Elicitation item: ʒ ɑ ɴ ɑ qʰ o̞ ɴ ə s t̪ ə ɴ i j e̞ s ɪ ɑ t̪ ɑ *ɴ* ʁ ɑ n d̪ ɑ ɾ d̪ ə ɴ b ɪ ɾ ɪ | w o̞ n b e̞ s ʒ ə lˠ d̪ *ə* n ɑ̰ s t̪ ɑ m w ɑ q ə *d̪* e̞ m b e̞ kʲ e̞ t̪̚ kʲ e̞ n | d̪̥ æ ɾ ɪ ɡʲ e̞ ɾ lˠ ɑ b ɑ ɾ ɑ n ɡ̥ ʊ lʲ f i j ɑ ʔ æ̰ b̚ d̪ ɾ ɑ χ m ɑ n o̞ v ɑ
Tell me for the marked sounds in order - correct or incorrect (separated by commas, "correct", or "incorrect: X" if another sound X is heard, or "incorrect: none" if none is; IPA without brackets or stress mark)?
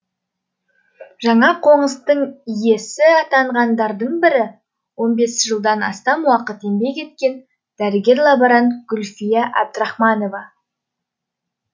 correct, incorrect: ɑ, incorrect: t̪